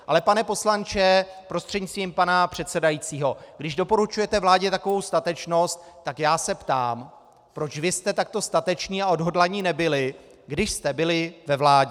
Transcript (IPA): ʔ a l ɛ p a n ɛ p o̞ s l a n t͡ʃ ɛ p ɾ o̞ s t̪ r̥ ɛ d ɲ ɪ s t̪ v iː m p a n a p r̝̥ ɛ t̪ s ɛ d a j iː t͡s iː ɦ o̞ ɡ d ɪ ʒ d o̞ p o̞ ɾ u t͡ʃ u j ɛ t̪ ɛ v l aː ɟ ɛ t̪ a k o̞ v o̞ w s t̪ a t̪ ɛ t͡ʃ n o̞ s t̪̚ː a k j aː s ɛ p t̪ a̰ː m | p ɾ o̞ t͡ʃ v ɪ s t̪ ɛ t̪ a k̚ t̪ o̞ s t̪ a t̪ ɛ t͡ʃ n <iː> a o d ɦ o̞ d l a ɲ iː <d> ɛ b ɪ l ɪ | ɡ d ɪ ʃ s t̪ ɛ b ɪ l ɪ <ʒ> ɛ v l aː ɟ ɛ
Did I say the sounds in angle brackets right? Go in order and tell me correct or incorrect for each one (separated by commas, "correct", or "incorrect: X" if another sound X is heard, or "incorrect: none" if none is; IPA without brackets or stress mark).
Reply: correct, incorrect: n, incorrect: v